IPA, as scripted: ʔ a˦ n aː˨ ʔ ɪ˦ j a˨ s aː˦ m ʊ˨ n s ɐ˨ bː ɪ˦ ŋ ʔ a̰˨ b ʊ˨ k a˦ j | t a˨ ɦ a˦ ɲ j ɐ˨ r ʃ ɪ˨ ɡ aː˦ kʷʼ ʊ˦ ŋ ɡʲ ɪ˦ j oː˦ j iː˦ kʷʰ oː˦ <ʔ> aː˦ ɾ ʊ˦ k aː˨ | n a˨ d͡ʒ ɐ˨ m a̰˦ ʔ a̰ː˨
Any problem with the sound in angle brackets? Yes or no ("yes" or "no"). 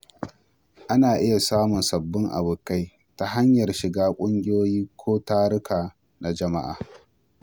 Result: yes